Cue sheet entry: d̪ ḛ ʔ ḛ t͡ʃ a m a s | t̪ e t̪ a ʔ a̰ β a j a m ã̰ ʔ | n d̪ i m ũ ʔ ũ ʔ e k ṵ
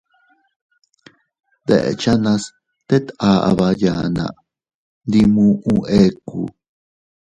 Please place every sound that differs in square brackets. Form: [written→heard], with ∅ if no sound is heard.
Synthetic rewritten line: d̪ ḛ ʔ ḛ t͡ʃ a [m→n] a s | t̪ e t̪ a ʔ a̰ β a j a [m→n] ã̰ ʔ | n d̪ i m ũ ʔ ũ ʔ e k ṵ